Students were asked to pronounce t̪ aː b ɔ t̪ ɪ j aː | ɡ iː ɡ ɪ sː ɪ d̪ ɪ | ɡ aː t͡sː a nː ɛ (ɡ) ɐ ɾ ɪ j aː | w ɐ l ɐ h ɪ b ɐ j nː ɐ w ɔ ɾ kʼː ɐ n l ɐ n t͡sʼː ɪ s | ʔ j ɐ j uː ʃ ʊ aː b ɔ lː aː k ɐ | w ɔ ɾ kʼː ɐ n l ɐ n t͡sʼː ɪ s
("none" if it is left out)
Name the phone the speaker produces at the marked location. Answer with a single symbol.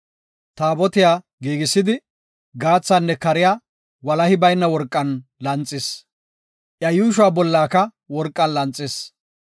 k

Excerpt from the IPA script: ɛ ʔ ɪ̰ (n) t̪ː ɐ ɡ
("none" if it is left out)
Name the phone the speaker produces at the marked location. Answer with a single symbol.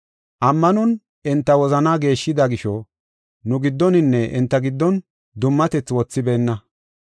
n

